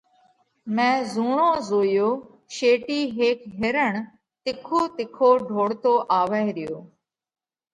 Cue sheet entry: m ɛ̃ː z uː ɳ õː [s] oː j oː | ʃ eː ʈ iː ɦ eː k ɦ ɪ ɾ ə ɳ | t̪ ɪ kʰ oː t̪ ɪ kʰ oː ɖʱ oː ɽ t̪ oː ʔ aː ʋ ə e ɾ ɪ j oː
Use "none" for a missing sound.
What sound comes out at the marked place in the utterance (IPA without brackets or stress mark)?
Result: z